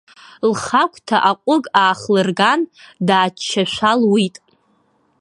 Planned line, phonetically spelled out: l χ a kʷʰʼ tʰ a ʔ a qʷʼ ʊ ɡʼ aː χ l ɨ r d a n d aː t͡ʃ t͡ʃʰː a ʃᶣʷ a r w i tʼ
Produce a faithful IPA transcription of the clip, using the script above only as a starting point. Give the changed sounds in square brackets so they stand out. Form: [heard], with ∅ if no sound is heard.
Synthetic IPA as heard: l χ a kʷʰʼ tʰ a ʔ a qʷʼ ʊ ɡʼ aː χ l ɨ r [ɡ] a n d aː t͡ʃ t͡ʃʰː a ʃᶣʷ a [l] w i tʼ